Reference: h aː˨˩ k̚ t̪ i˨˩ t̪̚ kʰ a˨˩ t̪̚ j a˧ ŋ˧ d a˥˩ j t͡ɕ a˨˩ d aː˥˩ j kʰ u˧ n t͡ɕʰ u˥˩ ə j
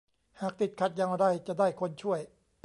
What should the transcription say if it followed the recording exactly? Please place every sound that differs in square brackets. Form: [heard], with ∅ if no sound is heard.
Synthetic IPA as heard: h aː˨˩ k̚ t̪ i˨˩ t̪̚ kʰ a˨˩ t̪̚ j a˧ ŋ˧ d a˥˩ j t͡ɕ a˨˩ d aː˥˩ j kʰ [o˧] n t͡ɕʰ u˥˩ ə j